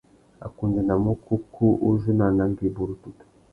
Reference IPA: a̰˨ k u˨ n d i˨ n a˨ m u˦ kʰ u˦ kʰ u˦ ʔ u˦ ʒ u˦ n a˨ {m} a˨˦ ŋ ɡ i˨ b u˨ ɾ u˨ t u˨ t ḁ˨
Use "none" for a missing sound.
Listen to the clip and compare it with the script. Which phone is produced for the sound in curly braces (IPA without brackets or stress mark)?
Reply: n